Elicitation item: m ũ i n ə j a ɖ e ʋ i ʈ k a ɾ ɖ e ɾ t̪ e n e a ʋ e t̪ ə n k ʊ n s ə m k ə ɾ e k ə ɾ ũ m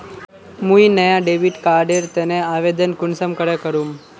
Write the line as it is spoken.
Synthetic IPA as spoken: m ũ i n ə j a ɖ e ʋ i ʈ k a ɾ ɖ e ɾ t̪ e n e a ʋ e d̪ ə n k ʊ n s ə m k ə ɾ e k ə ɾ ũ m